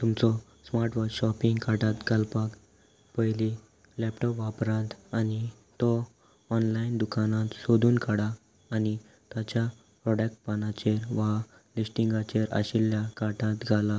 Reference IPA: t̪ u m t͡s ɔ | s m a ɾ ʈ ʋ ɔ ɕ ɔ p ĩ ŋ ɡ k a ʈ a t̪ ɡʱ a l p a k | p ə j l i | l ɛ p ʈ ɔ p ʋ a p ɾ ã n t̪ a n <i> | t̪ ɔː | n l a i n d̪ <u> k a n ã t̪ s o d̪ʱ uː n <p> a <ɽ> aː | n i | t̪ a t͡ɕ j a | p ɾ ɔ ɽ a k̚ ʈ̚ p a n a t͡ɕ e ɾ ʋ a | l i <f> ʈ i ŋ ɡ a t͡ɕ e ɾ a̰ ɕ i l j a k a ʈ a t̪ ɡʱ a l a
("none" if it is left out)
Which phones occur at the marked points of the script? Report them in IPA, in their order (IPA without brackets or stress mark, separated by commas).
i, u, k, ɽ, s